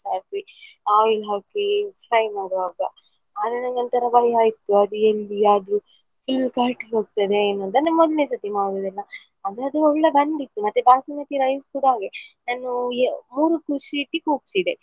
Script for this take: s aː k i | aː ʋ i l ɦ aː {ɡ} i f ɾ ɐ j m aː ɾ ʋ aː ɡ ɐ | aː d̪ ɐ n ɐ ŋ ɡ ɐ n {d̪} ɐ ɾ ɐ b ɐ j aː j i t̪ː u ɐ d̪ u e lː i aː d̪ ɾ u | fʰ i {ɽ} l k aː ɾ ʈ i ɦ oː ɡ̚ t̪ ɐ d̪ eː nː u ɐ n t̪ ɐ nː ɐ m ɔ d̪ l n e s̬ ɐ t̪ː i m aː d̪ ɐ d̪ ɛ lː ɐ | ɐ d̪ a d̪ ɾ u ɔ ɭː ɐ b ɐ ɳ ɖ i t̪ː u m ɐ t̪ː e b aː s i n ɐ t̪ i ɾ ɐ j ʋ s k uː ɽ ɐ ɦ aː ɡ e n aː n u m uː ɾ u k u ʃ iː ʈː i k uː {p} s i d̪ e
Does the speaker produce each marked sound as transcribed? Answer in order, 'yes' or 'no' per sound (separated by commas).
no, no, no, yes